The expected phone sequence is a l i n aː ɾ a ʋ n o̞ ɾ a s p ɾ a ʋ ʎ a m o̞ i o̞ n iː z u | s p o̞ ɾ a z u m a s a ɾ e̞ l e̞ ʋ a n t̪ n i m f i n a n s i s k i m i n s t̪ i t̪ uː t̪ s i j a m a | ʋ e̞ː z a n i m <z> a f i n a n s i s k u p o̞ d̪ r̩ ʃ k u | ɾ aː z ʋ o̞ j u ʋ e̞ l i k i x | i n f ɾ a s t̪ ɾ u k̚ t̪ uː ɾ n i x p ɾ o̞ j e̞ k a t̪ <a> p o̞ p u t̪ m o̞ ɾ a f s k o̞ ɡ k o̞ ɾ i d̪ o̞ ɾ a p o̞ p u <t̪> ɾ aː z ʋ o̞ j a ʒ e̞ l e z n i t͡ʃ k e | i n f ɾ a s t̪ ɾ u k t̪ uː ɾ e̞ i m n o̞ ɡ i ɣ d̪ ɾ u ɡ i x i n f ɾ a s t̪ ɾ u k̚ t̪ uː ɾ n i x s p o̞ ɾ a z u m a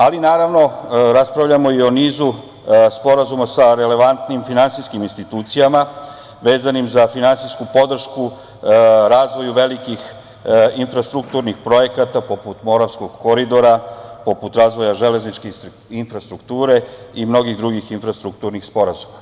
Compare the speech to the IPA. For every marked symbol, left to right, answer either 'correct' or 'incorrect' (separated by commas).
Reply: correct, correct, correct